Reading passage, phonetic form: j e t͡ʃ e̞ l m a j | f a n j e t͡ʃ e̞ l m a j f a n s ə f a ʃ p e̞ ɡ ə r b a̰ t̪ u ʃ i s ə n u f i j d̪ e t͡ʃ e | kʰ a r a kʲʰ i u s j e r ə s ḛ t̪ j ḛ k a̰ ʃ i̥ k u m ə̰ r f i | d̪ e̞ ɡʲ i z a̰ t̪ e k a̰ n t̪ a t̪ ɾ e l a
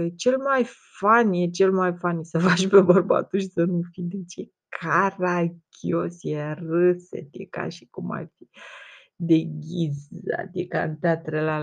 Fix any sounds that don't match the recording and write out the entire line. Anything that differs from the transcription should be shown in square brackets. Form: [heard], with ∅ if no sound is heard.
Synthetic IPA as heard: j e t͡ʃ e̞ l m a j | f a n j e t͡ʃ e̞ l m a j f a n s ə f a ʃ p e̞ [b] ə r b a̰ t̪ u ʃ i s ə n u f i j d̪ e t͡ʃ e | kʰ a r a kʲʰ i [o] s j e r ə s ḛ t̪ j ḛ k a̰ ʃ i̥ k u m [a̰] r f i | d̪ e̞ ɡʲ i z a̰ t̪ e k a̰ n t̪ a t̪ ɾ e l a